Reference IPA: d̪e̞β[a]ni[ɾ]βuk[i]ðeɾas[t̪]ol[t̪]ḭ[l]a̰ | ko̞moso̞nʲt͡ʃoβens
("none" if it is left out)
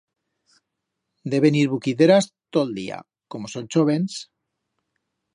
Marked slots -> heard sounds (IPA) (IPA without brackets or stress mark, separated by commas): e, ɾ, i, t̪, d̪, none